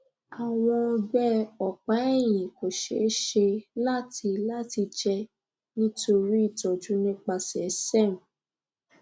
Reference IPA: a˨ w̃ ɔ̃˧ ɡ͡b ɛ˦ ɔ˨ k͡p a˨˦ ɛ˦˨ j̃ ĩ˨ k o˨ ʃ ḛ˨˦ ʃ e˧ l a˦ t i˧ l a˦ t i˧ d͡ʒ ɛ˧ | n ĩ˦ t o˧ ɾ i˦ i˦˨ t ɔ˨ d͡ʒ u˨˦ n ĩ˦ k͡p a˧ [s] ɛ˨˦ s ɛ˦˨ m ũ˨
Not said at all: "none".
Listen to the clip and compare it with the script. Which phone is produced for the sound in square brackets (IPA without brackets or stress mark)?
s